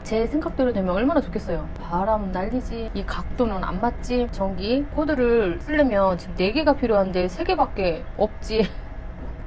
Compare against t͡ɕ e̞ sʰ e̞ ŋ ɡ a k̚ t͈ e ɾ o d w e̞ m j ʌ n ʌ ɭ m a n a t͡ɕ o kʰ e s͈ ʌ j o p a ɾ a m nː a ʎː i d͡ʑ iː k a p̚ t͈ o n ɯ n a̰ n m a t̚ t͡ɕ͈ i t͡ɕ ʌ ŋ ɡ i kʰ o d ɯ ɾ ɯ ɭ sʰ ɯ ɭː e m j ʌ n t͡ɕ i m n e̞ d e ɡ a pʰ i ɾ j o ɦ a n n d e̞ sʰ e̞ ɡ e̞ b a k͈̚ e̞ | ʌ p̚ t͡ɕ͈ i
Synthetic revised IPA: t͡ɕ e̞ sʰ e̞ ŋ ɡ a k̚ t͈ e ɾ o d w e̞ m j ʌ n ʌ ɭ m a n a t͡ɕ o kʰ e s͈ ʌ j o p a ɾ a m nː a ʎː i d͡ʑ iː k a k̚ t͈ o n ɯ n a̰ n m a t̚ t͡ɕ͈ i t͡ɕ ʌ ŋ ɡ i kʰ o d ɯ ɾ ɯ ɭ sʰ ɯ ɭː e m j ʌ n t͡ɕ i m n e̞ ɡ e ɡ a pʰ i ɾ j o ɦ a n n d e̞ sʰ e̞ ɡ e̞ b a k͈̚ e̞ | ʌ p̚ t͡ɕ͈ i